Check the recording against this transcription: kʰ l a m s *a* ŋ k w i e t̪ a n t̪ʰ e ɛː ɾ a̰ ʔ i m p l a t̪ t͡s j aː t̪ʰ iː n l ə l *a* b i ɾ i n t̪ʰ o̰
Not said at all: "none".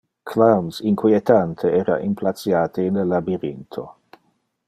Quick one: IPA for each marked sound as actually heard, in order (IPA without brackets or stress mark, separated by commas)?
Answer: i, a